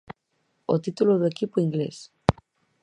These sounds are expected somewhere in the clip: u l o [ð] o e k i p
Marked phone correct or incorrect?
correct